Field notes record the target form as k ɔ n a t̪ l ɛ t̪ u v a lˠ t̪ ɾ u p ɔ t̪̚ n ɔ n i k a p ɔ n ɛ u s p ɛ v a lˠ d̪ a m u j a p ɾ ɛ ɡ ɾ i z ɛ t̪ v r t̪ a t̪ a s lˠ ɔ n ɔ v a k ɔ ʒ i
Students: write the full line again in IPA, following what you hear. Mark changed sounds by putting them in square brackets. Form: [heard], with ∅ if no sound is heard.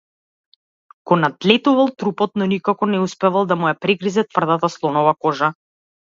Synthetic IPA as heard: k ɔ n a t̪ l ɛ t̪ u v a lˠ t̪ ɾ u p ɔ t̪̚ n ɔ n i k a [k] ɔ n ɛ u s p ɛ v a lˠ d̪ a m u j a p ɾ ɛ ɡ ɾ i z ɛ t̪ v r [d̪] a t̪ a s lˠ ɔ n ɔ v a k ɔ ʒ [a]